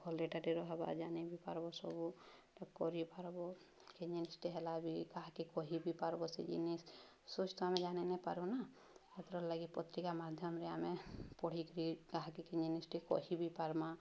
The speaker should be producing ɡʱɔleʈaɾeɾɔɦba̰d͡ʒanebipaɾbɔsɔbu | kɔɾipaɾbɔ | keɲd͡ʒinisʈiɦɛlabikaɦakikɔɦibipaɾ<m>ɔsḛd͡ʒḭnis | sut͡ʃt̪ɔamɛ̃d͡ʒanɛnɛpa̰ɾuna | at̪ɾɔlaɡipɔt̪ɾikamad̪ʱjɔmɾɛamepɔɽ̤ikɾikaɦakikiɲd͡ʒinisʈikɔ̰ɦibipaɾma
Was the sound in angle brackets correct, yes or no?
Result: no